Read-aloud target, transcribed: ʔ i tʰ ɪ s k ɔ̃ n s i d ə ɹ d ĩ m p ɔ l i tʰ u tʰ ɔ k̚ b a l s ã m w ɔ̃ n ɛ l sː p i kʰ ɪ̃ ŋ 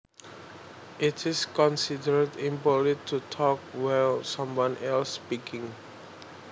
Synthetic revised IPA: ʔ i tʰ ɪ s k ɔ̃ n s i d ə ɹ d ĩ m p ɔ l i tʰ u tʰ ɔ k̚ w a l s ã m w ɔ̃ n ɛ l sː p i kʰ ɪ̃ ŋ